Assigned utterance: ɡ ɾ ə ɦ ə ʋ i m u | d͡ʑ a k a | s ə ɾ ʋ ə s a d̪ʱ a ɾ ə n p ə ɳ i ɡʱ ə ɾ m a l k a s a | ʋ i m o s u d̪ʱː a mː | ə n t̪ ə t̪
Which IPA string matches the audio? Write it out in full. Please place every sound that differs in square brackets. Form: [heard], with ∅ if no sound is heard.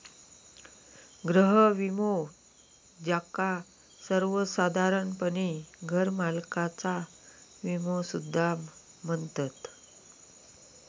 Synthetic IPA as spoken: ɡ ɾ ə ɦ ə ʋ i m [o] | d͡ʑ a k a | s ə ɾ ʋ ə s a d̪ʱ a ɾ ə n p ə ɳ i ɡʱ ə ɾ m a l k a [t͡s] a | ʋ i m o s u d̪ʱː a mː | ə n t̪ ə t̪